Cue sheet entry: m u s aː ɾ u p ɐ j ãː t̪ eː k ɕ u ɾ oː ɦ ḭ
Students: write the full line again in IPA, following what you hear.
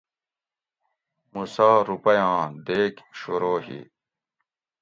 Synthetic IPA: m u s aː ɾ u p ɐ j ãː d̪ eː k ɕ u ɾ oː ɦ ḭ